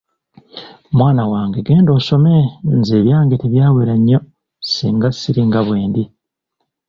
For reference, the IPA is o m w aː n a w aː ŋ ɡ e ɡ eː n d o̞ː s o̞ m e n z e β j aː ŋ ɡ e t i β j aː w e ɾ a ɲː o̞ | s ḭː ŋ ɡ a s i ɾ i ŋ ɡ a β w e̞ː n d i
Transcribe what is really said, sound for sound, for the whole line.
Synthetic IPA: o m w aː n a w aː ŋ ɡ e ɡ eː n d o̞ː s o̞ m e n z e β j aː ŋ ɡ e t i β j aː w e ɾ a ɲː o̞ | s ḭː ŋ ɡ a s i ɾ i ŋ ɡ a β w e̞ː n d i

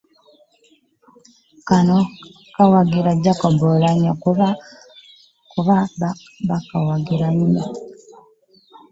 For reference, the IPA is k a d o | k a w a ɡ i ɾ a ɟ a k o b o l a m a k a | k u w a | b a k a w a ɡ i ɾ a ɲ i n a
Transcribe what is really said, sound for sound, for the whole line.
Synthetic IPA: k a n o | k a w a ɡ i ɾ a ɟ a k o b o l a ɲ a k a | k u β a | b a k a w a ɡ i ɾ a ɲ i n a

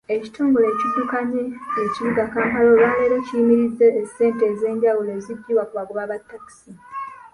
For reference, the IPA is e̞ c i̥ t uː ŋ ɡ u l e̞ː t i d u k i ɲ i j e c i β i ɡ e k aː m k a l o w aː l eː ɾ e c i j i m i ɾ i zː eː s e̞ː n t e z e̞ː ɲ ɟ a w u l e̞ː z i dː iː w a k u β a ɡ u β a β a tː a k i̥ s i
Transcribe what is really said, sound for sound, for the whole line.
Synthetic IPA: e̞ c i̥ t uː ŋ ɡ u l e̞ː c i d u k a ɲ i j e c i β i ɡ a k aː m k a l o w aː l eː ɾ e c i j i m i ɾ i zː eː s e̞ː n t e z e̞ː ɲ ɟ a w u l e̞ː z i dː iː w a k u β a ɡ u β a β a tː a k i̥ s i

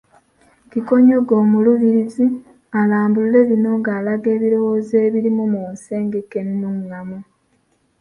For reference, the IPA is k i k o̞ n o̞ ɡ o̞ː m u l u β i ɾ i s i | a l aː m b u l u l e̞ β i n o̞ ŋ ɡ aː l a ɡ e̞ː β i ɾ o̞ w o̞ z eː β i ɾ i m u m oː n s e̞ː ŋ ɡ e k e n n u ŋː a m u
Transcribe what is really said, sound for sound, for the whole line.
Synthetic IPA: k i k o̞ ɲ o̞ ɡ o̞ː m u l u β i ɾ i z i | a l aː m b u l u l e̞ β i n o̞ ŋ ɡ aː l a ɡ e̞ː β i ɾ o̞ w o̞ z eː β i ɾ i m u m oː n s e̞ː ŋ ɡ e k e n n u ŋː a m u

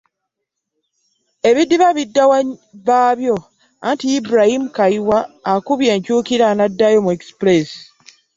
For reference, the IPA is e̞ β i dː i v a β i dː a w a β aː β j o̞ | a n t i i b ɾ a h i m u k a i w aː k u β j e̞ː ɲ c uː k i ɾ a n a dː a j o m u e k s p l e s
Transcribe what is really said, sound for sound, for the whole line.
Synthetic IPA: e̞ β i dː i β a β i dː a w a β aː β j o̞ | a n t i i b ɾ a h i m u k a i w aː k u β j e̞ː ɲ c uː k i ɾ a n a dː a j o m u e k s p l e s

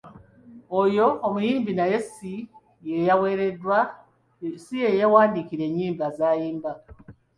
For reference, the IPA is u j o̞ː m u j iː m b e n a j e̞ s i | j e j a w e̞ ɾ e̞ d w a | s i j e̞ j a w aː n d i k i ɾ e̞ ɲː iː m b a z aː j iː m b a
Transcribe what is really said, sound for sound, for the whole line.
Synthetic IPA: o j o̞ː m u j iː m b i n a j e̞ s i | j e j a w e̞ ɾ e̞ d w a | s i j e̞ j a w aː n d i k i ɾ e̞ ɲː iː m b a z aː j iː m b a

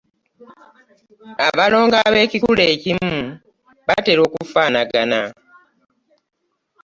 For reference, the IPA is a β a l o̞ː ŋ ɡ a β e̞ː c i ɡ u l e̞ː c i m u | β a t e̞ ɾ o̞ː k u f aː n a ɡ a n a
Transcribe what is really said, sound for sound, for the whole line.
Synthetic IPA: a β a l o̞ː ŋ ɡ a β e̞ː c i k u l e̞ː c i m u | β a t e̞ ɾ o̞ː k u f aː n a ɡ a n a

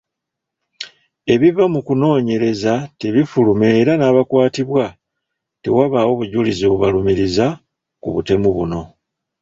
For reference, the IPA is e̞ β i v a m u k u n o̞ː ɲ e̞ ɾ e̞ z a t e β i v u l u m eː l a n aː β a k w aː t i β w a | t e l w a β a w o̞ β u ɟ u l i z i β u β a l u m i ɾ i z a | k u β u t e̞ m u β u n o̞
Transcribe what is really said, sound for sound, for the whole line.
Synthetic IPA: e̞ β i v a m u k u n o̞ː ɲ e̞ ɾ e̞ z a t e β i f u l u m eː ɾ a n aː β a k w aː t i β w a | t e w a β a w o̞ β u ɟ u l i z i β u β a l u m i ɾ i z a | k u β u t e̞ m u β u n o̞

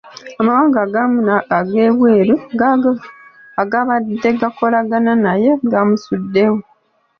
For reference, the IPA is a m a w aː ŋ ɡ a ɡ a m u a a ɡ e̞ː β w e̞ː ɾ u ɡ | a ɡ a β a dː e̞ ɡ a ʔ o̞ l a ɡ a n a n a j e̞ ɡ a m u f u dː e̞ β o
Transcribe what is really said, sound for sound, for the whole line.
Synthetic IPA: a m a w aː ŋ ɡ a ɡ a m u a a ɡ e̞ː β w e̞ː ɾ u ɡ | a ɡ a β a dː e̞ ɡ a k o̞ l a ɡ a n a n a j e̞ ɡ a m u s u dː e̞ w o

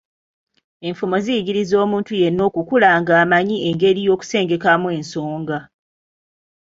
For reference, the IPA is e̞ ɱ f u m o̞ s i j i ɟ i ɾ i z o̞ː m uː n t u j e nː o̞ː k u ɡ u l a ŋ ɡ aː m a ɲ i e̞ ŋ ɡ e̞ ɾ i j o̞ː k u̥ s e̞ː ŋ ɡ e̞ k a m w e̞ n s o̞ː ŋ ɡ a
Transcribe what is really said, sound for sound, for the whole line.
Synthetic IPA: e̞ ɱ f u m o̞ z i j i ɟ i ɾ i z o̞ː m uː n t u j e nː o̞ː k u k u l a ŋ ɡ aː m a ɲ i e̞ ŋ ɡ e̞ ɾ i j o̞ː k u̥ s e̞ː ŋ ɡ e̞ k a m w e̞ n s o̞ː ŋ ɡ a

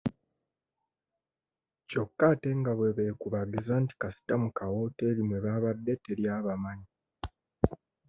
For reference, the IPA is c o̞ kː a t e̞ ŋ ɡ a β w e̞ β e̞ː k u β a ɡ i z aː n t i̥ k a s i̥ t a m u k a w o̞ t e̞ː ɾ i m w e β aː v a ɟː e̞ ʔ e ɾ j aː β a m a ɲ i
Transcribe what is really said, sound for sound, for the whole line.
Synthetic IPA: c o̞ kː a t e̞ ŋ ɡ a β w e̞ β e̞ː k u β a ɡ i z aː n t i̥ k a s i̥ t a m u k a w o̞ t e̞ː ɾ i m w e β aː β a dː e̞ t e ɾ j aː β a m a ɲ i

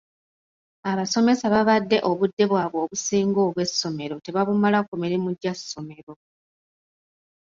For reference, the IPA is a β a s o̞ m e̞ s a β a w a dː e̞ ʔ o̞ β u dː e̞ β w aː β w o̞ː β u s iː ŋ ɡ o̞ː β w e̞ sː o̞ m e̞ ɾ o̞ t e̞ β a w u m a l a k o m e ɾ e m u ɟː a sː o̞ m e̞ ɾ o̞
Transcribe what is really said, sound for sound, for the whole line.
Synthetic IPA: a β a s o̞ m e̞ s a β a β a dː e̞ ʔ o̞ β u dː e̞ β w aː β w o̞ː β u s iː ŋ ɡ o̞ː β w e̞ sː o̞ m e̞ ɾ o̞ t e̞ β a β u m a l a k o m e ɾ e m u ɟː a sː o̞ m e̞ ɾ o̞

